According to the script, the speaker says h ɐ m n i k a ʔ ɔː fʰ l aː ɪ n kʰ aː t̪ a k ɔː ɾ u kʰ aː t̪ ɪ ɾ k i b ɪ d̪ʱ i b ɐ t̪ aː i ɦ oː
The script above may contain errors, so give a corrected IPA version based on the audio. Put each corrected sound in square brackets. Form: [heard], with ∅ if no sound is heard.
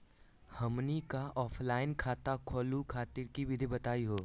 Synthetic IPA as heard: h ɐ m n i k a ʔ ɔː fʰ l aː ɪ n kʰ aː t̪ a [kʰ] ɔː [l] u kʰ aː t̪ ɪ ɾ k i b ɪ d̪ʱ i b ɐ t̪ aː i ɦ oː